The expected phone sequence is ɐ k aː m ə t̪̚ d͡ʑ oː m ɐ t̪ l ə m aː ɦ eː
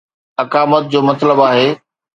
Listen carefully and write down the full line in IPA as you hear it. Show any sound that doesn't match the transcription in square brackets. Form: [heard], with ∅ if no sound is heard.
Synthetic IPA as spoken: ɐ k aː m ə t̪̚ d͡ʑ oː m ɐ t̪ l ə [b] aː ɦ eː